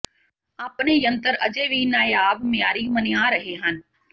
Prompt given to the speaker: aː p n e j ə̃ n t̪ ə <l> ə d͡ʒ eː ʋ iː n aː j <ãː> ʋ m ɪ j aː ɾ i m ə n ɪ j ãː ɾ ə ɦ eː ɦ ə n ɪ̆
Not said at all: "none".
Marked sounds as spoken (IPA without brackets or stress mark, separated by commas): ɾ, aː